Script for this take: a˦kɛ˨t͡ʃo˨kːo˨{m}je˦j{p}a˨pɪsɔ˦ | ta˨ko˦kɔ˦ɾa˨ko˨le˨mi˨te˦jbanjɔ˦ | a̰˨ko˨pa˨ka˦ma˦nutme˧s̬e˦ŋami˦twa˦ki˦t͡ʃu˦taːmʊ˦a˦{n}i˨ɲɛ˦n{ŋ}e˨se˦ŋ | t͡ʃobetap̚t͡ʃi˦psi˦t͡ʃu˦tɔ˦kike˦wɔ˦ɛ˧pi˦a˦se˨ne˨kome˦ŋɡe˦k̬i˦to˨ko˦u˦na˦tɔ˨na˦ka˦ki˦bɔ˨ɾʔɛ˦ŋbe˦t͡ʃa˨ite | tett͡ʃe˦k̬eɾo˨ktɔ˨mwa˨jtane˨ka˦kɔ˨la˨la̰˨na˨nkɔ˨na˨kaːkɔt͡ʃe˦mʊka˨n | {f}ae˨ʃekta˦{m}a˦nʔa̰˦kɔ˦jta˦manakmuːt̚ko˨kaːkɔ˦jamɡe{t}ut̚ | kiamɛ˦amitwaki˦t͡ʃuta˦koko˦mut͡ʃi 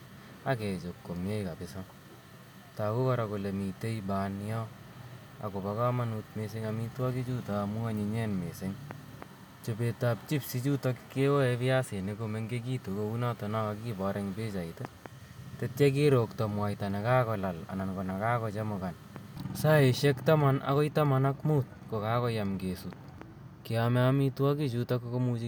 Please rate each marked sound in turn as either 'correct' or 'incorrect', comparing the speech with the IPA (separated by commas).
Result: correct, incorrect, incorrect, incorrect, incorrect, correct, incorrect